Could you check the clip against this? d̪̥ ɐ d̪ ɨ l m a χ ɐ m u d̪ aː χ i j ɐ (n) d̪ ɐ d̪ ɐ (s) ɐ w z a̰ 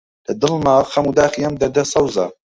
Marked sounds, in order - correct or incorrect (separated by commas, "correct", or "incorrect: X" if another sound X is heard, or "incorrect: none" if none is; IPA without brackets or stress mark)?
incorrect: m, correct